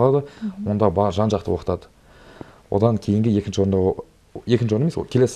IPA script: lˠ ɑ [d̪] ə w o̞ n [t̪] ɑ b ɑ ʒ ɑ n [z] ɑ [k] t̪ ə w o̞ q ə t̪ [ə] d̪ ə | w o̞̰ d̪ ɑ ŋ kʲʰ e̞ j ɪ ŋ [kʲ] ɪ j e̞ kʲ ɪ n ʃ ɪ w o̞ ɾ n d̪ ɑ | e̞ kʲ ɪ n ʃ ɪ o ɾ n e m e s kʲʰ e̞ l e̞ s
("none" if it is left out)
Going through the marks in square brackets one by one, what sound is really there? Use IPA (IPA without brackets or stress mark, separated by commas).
d̪, d̪, ʒ, q, ɑ, ɡʲ